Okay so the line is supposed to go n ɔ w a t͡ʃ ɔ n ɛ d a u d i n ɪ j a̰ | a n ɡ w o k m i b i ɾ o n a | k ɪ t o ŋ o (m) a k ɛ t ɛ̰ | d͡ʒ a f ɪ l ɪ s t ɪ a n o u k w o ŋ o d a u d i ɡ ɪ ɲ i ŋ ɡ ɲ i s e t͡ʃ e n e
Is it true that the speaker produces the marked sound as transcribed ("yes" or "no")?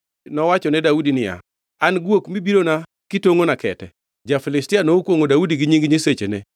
no